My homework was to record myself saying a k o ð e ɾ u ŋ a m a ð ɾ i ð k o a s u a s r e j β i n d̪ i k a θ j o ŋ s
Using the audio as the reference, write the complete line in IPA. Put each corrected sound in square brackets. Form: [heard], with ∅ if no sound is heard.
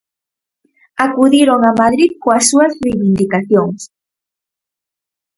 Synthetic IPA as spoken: a k [u] ð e ɾ [o] ŋ a m a ð ɾ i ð k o a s u a s r e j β i n d̪ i k a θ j o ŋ s